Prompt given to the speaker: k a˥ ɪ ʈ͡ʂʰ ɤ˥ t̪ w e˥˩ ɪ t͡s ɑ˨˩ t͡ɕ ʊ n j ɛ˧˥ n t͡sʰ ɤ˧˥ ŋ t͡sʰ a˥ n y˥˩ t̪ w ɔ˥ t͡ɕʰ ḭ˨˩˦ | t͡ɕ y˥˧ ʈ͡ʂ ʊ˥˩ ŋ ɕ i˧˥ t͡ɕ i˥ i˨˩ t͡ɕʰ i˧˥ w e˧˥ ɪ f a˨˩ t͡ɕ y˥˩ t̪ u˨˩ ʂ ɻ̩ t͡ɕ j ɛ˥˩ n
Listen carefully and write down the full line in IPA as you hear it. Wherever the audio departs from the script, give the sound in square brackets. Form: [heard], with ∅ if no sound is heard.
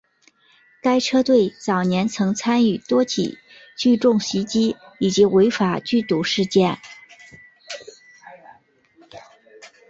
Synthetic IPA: k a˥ ɪ ʈ͡ʂʰ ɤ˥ t̪ w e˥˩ ɪ t͡s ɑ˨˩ [∅] ʊ n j ɛ˧˥ n t͡sʰ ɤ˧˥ ŋ t͡sʰ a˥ n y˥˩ t̪ w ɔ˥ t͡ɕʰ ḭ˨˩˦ | t͡ɕ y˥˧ ʈ͡ʂ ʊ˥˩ ŋ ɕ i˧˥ t͡ɕ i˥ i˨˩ [t͡ɕ] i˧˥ w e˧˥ ɪ f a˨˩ t͡ɕ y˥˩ t̪ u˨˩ ʂ ɻ̩ t͡ɕ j ɛ˥˩ n